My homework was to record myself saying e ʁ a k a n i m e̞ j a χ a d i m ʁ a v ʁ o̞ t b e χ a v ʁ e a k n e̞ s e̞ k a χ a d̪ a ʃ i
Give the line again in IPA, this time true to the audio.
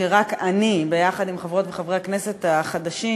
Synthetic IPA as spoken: e ʁ a k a n i b e̞ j a χ a d i m χ a v ʁ o̞ t v e χ a v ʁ e a k n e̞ s e̞ t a χ a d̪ a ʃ i